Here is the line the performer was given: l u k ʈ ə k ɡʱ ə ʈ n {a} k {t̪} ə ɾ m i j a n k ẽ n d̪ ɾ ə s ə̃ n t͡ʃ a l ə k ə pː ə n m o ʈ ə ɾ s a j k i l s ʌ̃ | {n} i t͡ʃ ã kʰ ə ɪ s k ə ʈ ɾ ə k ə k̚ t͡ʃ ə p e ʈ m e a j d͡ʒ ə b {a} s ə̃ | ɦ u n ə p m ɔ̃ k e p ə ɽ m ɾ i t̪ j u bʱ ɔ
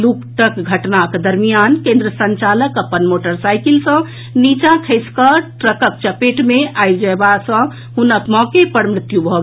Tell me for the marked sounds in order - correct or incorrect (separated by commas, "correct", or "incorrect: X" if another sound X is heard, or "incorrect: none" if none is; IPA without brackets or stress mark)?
correct, incorrect: d̪, correct, correct